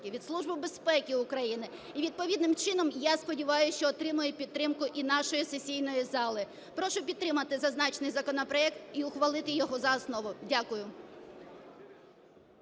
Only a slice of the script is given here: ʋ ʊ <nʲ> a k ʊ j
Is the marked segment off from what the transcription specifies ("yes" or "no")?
yes